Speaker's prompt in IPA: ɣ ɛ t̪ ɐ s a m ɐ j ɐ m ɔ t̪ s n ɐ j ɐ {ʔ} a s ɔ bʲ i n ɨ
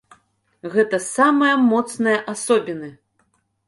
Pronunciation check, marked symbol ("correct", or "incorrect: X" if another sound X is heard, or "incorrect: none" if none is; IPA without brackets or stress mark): correct